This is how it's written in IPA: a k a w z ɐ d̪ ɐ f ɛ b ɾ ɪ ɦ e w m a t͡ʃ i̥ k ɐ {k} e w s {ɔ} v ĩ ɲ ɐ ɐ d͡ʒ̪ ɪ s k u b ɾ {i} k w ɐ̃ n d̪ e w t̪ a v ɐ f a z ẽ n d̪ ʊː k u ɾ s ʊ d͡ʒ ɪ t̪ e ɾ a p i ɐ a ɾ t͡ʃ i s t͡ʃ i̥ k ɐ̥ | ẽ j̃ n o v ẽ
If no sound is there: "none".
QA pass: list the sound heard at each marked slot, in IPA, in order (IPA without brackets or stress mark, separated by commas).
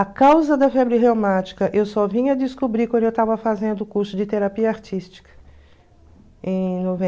ʔ, ɔ, i